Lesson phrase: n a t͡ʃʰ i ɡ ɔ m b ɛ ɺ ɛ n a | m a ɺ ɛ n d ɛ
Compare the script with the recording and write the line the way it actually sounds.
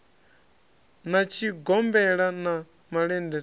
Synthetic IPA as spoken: n a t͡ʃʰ i ɡ ɔ m b ɛ ɺ a n a | m a ɺ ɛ n d ɛ